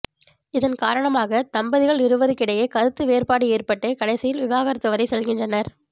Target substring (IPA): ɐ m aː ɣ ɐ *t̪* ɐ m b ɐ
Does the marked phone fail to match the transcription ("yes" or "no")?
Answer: no